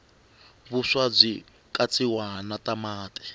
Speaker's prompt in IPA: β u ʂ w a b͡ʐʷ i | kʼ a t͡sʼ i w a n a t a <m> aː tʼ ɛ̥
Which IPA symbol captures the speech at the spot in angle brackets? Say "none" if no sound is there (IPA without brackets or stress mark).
m